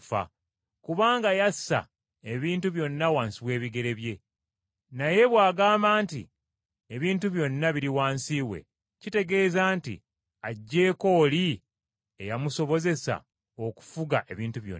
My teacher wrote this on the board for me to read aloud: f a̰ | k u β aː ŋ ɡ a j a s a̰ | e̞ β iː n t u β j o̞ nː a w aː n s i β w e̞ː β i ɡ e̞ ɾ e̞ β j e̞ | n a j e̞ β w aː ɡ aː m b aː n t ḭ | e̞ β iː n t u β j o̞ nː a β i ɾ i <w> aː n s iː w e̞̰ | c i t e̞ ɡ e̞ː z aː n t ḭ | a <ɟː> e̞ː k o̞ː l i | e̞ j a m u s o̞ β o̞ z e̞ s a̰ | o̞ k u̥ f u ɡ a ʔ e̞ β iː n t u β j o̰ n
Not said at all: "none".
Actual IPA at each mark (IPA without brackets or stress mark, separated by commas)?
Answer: w, ɟː